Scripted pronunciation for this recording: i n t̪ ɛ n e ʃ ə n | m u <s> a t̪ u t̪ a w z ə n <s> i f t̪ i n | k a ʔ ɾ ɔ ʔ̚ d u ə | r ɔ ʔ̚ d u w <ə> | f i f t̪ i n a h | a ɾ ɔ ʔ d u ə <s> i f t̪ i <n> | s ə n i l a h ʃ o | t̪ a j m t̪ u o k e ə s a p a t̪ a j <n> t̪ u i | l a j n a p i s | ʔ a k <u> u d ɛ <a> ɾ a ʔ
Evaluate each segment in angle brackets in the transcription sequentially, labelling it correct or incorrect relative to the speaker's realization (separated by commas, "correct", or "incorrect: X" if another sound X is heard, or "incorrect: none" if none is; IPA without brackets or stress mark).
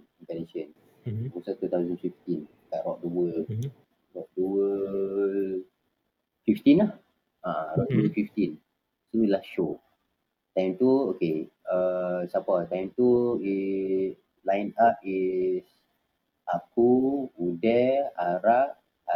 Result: correct, incorrect: f, correct, incorrect: f, correct, incorrect: m, correct, correct